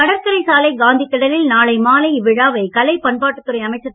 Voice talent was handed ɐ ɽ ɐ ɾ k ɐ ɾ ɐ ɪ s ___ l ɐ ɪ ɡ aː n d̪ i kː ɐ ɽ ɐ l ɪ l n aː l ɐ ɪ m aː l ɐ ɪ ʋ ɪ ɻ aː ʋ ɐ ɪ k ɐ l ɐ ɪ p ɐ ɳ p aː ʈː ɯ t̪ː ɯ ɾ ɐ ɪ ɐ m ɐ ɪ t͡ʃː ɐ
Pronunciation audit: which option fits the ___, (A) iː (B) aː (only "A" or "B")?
B